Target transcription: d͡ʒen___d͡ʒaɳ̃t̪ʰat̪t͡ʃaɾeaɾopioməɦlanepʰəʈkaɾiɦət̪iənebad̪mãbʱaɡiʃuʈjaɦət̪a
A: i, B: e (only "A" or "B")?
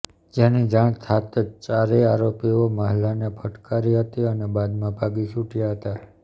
A